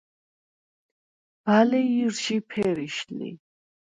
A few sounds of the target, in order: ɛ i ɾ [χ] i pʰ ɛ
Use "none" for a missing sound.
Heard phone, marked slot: ʃ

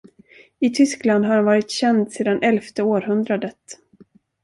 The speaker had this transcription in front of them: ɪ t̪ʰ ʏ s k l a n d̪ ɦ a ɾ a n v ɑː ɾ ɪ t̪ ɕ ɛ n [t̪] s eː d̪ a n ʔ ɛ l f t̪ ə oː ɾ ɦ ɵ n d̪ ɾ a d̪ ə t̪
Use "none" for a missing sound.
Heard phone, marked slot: d̪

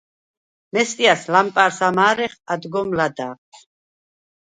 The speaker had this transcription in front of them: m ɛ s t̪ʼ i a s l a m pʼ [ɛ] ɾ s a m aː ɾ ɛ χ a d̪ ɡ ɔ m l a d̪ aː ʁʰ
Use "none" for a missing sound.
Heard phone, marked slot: a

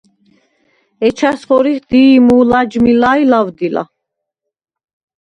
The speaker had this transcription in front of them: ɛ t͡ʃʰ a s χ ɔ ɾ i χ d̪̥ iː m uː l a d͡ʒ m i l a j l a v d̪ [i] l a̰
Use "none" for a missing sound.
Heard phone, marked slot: i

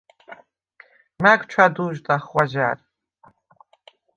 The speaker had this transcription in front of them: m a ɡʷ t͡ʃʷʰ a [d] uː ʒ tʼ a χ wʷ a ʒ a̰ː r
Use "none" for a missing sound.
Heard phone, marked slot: d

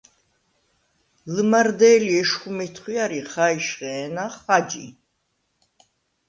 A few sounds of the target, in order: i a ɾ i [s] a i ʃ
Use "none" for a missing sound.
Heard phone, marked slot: χ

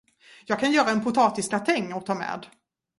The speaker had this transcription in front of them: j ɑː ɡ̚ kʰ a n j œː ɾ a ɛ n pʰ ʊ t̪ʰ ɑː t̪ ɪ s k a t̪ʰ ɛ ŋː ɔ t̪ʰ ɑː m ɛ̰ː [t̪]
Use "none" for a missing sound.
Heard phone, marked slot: d̪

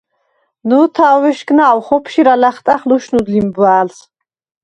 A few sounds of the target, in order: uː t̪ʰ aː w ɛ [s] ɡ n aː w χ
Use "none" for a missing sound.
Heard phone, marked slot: ʃ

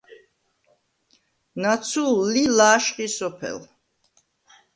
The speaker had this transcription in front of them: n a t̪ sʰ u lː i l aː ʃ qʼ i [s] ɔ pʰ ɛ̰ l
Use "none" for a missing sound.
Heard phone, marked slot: s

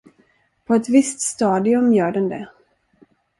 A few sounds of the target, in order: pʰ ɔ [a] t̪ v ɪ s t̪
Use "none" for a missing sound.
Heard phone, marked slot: ɛ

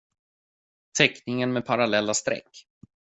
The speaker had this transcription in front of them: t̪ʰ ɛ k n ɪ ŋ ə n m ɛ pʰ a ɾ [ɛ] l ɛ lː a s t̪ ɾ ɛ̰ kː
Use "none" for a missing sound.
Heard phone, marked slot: a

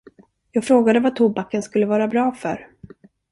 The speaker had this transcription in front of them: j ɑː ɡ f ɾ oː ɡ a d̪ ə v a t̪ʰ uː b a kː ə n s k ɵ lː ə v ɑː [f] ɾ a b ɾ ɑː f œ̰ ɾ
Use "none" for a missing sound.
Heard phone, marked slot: none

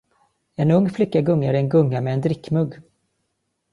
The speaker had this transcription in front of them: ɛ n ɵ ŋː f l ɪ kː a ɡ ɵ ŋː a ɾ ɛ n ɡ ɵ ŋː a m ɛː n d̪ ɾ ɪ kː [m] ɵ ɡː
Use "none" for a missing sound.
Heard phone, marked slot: m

